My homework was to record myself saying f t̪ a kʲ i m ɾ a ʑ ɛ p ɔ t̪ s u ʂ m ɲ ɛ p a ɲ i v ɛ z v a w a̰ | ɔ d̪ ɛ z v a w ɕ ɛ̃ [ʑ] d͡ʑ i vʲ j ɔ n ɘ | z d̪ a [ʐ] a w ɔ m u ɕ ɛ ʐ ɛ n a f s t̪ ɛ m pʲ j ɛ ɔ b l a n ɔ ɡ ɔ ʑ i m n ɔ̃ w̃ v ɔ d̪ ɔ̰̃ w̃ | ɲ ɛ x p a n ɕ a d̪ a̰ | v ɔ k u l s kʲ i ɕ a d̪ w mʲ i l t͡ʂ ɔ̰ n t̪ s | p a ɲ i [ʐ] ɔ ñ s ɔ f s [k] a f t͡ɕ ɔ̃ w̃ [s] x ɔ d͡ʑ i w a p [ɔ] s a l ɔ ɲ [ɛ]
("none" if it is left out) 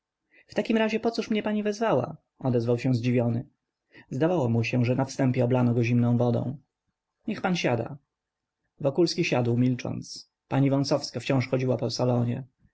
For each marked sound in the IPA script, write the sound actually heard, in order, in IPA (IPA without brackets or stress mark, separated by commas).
z, v, v, k, ʂ, ɔ, ɛ